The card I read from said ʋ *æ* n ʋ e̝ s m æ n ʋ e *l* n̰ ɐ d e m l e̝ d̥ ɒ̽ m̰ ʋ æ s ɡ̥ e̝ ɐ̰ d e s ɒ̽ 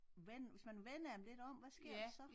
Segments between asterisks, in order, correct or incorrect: incorrect: e, incorrect: none

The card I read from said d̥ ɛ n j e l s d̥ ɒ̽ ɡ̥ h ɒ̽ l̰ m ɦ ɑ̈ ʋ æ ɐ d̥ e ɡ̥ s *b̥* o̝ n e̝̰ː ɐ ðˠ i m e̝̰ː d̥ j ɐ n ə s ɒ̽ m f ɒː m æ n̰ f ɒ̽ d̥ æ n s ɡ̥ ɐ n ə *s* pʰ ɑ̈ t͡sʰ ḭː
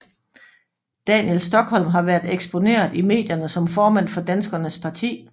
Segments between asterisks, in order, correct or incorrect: correct, correct

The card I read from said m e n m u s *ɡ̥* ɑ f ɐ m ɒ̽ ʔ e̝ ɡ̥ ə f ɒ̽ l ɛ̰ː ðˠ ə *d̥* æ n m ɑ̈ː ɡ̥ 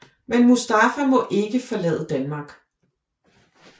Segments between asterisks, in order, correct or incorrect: incorrect: d̥, correct

